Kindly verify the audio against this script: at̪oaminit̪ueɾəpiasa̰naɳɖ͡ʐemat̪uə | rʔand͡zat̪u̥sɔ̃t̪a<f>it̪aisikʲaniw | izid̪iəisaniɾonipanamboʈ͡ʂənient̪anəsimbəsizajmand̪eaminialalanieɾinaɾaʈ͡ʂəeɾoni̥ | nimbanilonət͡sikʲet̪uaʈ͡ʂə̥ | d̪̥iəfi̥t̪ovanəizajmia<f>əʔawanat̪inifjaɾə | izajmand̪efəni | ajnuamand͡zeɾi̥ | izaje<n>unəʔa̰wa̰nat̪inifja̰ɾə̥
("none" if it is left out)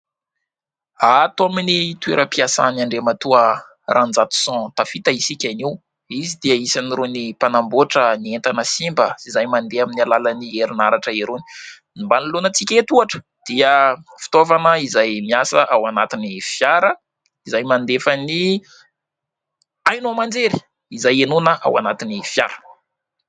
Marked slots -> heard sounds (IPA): f, s, n

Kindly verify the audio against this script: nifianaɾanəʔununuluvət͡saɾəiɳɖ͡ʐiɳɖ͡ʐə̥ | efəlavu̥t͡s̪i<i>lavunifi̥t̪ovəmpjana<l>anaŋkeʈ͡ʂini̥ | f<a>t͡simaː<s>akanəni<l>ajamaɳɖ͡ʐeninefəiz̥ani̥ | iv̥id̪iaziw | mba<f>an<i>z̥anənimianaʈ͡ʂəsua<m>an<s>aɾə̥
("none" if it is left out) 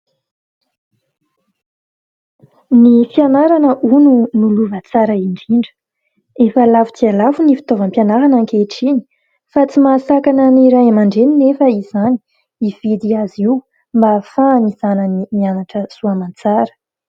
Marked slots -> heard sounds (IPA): a, ɾ, a, s, ɾ, f, i, m, t͡s

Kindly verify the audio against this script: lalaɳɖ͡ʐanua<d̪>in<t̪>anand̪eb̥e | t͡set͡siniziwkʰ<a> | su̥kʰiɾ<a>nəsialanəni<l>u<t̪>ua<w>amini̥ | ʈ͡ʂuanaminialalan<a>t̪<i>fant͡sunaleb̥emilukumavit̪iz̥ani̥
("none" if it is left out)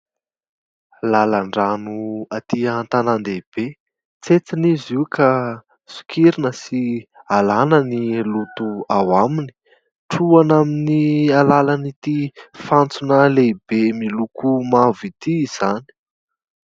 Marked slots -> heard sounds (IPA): t̪, t̪, a, i, l, t̪, w, i, i

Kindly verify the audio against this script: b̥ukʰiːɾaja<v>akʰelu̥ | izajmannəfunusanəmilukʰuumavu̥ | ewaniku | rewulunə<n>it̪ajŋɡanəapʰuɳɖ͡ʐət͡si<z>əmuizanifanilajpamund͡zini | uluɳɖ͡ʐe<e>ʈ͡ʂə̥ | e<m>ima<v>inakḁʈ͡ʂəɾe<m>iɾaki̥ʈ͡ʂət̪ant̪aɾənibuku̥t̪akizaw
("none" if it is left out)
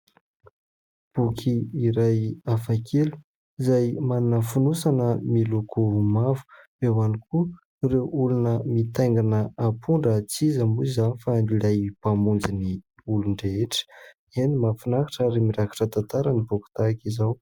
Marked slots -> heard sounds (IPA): f, m, z, e, n, f, m

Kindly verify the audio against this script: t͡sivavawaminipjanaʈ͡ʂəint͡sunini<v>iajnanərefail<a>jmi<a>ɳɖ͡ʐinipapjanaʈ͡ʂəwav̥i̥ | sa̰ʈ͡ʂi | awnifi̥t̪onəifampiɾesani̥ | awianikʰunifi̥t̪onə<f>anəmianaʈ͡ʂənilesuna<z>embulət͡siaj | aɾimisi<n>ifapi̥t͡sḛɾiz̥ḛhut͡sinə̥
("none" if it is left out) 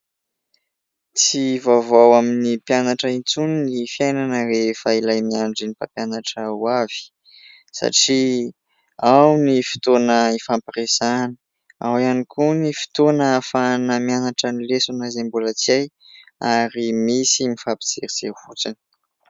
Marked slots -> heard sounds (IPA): f, a, a, f, z, m

